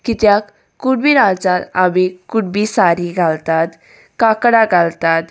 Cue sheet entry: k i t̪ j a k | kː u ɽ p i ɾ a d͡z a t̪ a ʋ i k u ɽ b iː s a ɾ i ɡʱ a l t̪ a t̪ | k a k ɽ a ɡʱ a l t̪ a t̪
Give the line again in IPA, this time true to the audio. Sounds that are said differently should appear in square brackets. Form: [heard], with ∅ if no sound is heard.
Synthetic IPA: k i t̪ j a k | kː u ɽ [b] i ɾ a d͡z a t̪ a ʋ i k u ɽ b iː s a ɾ i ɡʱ a l t̪ a t̪ | k a k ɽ a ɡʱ a l t̪ a t̪